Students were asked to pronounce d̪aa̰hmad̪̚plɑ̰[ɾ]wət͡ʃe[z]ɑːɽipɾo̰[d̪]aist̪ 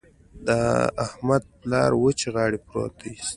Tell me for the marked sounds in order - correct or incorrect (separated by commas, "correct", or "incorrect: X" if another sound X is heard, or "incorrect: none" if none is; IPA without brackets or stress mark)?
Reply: correct, incorrect: ɣ, incorrect: t̪